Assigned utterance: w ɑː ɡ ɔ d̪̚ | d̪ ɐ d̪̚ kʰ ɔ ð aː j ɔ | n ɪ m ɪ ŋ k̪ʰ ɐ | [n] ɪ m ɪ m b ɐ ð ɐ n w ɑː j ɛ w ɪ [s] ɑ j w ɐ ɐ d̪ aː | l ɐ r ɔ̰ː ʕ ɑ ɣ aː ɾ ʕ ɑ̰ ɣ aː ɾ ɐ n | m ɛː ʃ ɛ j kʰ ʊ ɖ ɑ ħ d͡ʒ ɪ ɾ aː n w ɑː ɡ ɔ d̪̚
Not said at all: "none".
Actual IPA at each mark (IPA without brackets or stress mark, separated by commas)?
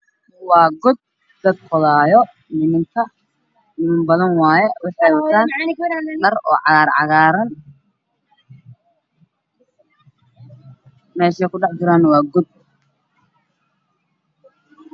n, ħ